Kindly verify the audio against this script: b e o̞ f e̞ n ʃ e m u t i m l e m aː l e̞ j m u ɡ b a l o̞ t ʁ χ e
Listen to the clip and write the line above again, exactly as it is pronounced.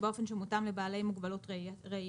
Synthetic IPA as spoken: b e o̞ f e̞ n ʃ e m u t a m l e b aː l e̞ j m u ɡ b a l o̞ t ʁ ʁ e